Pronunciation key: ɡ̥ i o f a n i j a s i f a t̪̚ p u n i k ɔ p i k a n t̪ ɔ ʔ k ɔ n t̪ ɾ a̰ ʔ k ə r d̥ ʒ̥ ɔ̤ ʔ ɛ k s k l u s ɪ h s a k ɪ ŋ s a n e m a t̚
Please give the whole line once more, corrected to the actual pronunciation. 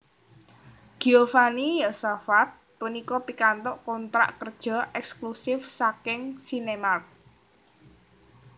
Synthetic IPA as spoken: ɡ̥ i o f a n i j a s a f a t̪̚ p u n i k ɔ p i k a n t̪ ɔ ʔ k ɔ n t̪ ɾ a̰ ʔ k ə r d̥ ʒ̥ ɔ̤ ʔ ɛ k s k l u s ɪ f s a k ɪ ŋ s i n e m a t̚

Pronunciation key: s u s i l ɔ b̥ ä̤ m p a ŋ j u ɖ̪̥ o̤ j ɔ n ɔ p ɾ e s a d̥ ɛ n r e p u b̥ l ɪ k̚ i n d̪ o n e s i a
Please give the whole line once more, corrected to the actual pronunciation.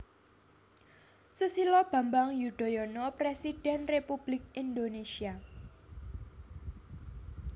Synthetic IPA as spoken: s u s i l ɔ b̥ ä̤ m b a ŋ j u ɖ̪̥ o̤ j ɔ n ɔ p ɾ e s i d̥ ɛ n r e p u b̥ l ɪ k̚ i n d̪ o n e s i a

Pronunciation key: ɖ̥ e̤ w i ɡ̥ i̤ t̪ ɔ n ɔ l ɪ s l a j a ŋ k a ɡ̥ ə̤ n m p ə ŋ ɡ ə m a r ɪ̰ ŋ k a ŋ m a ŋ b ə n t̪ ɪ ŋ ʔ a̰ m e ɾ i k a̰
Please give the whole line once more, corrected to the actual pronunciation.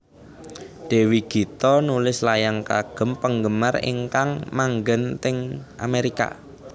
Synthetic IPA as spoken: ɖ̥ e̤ w i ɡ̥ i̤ t̪ ɔ n u l ɪ s l a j a ŋ k a ɡ̥ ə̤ m p ə ŋ ɡ ə m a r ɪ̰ ŋ k a ŋ m a ŋ ɡ ə n t̪ ɪ ŋ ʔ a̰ m e ɾ i k a̰

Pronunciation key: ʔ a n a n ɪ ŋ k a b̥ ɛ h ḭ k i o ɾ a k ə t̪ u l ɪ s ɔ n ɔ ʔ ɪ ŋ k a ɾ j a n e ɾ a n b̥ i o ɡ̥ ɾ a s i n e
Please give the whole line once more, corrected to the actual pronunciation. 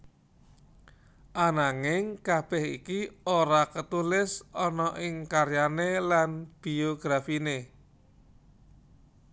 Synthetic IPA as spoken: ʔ a n a ŋ ɪ ŋ k a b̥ ɛ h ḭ k i o ɾ a k ə t̪ u l ɪ s ɔ n ɔ ʔ ɪ ŋ k a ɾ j a n e l a n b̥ i o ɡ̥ ɾ a f i n e

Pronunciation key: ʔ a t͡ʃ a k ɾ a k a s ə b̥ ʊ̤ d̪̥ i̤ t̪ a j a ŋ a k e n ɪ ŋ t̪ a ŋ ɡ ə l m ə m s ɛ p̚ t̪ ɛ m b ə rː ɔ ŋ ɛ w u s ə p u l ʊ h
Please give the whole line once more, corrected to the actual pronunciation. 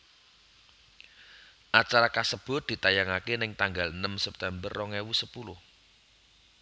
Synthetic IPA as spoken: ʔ a t͡ʃ a ɾ a k a s ə b̥ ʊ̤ d̪̥ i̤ t̪ a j a ŋ a k e n ɪ ŋ t̪ a ŋ ɡ a l n ə m s ɛ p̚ t̪ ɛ m b ə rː ɔ ŋ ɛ w u s ə p u l ʊ h

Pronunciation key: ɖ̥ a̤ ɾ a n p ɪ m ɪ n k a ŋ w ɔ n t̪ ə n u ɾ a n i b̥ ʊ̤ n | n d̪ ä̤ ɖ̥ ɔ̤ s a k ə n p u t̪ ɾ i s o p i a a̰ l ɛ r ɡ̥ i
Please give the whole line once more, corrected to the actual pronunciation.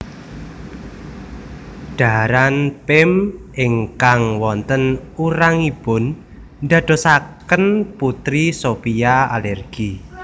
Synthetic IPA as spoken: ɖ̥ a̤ ɾ a n p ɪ m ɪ ŋ k a ŋ w ɔ n t̪ ə n u ɾ a ŋ i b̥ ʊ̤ n | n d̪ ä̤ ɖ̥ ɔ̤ s a k ə n p u t̪ ɾ i s o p i a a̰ l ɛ r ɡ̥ i

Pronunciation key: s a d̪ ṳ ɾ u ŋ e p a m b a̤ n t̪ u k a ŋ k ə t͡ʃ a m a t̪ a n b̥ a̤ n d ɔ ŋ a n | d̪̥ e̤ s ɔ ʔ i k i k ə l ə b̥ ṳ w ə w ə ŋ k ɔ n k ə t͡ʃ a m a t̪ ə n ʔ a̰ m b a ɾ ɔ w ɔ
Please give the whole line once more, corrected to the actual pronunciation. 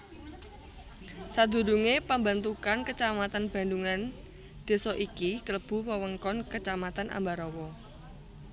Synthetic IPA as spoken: s a d̪ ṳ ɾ u ŋ e p a m b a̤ n t̪ u k a n k ə t͡ʃ a m a t̪ a n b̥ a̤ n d u ŋ a n | d̪̥ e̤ s ɔ ʔ i k i k ə l ə b̥ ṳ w ə w ə ŋ k ɔ n k ə t͡ʃ a m a t̪ a n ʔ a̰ m b a ɾ ɔ w ɔ

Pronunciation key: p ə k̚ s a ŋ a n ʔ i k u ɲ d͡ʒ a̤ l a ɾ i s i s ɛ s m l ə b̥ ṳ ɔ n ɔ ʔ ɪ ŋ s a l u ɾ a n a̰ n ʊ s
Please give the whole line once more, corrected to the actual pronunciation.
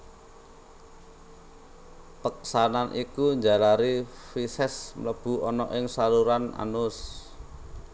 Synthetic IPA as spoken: p ə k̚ s a n a n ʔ i k u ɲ d͡ʒ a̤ l a ɾ i f i s ɛ s m l ə b̥ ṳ ɔ n ɔ ʔ ɪ ŋ s a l u ɾ a n a̰ n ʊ s

